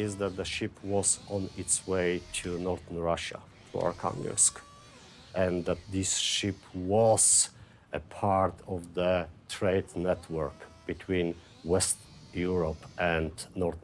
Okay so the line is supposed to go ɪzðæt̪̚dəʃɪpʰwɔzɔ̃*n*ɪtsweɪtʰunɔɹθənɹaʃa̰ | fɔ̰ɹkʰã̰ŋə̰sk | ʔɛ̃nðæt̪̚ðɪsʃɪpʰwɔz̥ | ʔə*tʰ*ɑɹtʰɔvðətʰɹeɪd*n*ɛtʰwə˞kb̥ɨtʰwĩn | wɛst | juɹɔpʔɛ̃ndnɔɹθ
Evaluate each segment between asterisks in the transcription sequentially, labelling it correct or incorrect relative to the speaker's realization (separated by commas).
correct, incorrect, correct